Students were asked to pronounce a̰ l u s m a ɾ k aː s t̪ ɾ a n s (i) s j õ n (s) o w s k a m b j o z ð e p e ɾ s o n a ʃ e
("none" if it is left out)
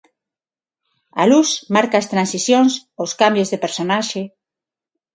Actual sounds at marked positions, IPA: i, s

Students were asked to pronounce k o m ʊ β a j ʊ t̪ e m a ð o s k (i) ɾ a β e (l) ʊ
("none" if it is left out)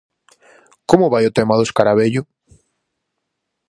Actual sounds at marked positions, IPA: a, ʎ

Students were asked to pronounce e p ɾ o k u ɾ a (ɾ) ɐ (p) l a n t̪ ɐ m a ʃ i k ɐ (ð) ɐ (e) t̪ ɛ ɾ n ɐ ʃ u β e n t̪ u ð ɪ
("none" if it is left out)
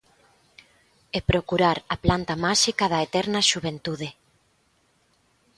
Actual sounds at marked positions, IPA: ɾ, p, ð, e

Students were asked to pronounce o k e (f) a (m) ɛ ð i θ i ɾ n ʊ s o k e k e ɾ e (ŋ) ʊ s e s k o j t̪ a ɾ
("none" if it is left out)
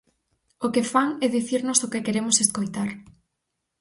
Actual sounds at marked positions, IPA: f, ŋ, m

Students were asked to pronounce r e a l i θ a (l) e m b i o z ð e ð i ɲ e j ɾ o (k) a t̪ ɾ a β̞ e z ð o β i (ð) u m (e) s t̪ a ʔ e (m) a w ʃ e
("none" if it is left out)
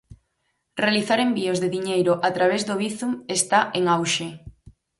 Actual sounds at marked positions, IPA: ɾ, ʔ, θ, e, ŋ

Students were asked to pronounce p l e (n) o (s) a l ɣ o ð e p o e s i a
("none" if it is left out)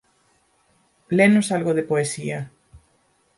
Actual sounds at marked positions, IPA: n, s

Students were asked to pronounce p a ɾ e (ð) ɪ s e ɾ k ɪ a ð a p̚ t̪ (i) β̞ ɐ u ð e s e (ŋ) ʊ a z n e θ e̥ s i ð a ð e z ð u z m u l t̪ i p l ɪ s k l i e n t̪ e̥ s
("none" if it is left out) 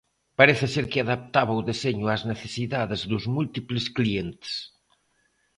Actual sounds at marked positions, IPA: θ, a, ɲ

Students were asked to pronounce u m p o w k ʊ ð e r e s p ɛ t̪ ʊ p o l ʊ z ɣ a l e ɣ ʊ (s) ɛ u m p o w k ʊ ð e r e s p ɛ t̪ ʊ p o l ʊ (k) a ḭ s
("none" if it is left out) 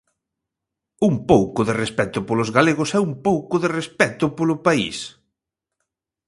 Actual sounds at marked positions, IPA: s, p

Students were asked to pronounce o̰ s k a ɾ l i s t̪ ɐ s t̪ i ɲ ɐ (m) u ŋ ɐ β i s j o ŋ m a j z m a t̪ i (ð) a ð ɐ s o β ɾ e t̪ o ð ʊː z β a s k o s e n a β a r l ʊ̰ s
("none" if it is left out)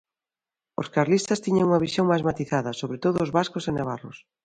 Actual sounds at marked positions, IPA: ŋ, θ

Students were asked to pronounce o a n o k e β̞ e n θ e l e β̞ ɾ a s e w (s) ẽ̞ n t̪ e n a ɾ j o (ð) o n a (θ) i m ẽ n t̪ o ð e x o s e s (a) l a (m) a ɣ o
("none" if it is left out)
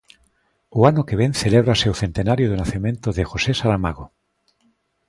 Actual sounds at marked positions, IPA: θ, ð, θ, a, m

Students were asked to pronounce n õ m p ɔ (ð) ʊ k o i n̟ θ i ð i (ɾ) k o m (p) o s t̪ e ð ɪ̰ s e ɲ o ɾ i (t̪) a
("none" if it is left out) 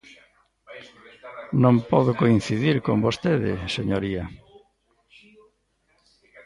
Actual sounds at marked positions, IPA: ð, ɾ, b, none

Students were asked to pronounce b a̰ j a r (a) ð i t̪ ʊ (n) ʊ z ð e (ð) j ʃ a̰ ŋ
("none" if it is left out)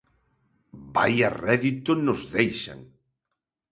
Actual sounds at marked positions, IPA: ɛ, n, none

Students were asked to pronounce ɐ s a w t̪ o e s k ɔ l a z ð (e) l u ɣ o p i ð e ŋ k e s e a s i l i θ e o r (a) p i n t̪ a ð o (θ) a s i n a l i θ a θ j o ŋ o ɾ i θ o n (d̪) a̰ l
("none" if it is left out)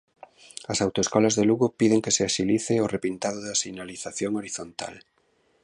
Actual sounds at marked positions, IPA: e, e, ð, t̪

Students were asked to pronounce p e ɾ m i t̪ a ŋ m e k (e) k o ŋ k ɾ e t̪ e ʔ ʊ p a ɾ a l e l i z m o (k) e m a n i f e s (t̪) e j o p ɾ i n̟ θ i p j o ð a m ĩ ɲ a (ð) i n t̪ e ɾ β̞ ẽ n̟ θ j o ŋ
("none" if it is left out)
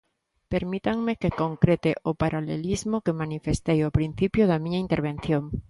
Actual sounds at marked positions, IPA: e, k, t̪, none

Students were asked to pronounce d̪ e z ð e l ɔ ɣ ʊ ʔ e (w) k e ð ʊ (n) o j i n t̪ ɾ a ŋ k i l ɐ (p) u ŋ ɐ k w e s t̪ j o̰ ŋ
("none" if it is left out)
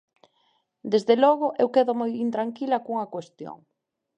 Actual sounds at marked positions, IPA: w, m, k

